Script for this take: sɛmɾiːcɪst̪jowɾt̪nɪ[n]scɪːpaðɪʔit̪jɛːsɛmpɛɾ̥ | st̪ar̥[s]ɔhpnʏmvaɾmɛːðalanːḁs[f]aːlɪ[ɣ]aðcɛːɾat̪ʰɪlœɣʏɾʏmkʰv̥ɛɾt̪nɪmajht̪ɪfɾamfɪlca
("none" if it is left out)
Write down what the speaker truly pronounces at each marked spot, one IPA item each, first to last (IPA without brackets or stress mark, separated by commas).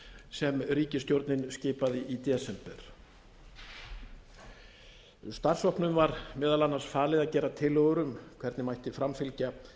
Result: n, s, f, ð